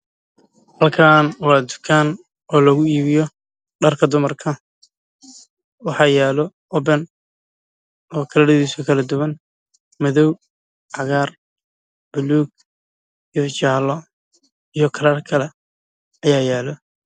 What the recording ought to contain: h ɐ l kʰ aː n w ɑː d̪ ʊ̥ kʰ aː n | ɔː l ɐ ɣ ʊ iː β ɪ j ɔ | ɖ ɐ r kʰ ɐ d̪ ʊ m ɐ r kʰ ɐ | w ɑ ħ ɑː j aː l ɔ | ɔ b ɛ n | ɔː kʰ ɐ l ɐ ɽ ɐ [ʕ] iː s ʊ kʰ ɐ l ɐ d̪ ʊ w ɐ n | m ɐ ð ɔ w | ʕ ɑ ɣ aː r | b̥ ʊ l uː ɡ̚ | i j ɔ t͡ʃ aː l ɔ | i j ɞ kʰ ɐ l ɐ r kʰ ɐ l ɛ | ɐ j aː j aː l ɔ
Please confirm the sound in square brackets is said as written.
no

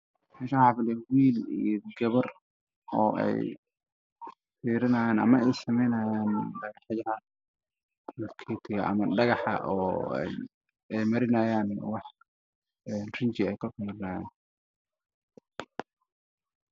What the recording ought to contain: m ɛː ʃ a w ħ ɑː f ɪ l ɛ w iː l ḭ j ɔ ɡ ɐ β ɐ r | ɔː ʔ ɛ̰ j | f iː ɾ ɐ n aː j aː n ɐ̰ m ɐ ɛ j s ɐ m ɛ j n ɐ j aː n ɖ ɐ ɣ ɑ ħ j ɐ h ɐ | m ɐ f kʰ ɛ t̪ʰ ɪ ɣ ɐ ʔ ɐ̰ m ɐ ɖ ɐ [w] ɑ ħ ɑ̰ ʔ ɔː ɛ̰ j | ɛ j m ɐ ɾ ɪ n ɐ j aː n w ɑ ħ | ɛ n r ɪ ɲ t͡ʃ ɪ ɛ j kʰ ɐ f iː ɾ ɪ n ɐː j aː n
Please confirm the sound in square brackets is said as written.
no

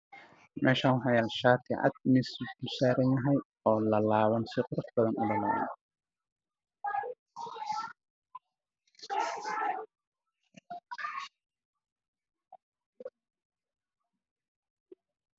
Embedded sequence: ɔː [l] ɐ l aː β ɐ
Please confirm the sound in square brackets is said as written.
yes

